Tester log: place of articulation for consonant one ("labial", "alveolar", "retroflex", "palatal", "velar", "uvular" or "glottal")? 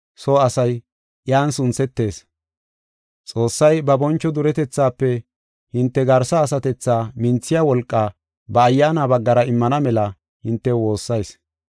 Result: alveolar